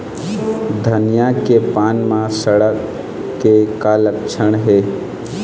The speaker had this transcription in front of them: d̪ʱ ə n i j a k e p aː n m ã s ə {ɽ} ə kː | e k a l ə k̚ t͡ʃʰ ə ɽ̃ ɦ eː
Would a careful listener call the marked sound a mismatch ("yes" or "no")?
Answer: no